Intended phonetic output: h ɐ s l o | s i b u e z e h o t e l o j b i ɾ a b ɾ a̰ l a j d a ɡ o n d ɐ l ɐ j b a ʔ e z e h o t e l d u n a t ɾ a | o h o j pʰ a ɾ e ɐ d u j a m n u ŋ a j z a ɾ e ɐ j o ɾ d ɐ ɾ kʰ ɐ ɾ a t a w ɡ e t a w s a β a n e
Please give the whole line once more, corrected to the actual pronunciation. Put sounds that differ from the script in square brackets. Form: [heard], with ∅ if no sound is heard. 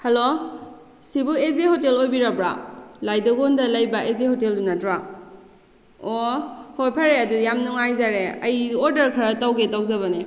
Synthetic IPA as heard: h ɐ [∅] l o | s i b u e z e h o t e l o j b i ɾ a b ɾ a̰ l a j d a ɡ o n d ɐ l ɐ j b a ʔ e z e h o t e l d u n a t ɾ a | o h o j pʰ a ɾ e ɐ d u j a m n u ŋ a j z a ɾ e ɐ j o ɾ d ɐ ɾ kʰ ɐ ɾ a t a w ɡ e t a w [z] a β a n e